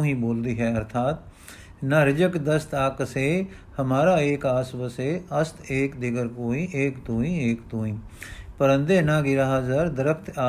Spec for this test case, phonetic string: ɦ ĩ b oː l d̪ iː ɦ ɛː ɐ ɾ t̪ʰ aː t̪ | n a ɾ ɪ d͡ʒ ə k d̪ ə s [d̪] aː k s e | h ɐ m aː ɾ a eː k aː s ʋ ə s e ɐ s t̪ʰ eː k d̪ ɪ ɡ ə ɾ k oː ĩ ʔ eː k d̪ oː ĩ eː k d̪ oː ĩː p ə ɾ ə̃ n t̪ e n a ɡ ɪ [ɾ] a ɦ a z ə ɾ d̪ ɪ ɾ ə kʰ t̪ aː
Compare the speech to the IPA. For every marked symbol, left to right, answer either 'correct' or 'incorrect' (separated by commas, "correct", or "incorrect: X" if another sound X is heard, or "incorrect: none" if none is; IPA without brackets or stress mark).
incorrect: t̪, correct